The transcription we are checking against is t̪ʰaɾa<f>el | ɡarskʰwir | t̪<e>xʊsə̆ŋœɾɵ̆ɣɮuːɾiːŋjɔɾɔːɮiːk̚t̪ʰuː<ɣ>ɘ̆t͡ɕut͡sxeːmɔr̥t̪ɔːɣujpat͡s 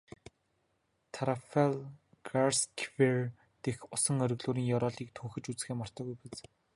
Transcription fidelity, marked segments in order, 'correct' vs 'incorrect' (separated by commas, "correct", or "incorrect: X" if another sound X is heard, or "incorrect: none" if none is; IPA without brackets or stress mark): correct, correct, incorrect: x